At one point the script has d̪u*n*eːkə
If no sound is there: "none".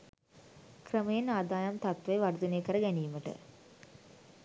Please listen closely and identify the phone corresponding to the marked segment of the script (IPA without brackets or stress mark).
n